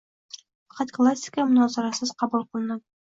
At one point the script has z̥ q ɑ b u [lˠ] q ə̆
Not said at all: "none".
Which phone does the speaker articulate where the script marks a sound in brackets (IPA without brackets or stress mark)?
lˠ